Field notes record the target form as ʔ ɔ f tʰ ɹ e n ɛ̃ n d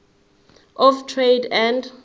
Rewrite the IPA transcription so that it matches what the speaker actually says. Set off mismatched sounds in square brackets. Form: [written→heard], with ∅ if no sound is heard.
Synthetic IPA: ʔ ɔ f tʰ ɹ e [n→d] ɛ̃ n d